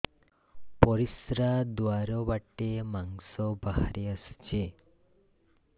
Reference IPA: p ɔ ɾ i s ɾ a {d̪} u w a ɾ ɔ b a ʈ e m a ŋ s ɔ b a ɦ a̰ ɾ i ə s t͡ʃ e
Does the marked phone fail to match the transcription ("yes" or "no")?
no